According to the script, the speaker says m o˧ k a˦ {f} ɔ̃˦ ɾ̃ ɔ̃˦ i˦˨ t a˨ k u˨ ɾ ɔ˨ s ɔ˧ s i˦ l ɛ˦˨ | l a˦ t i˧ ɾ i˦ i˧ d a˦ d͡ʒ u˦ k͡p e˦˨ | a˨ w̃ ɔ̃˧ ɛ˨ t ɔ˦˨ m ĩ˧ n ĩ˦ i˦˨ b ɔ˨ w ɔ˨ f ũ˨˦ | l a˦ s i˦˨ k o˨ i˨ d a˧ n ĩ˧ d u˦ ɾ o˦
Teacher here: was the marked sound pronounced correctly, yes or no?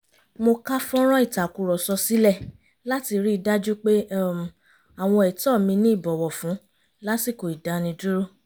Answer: yes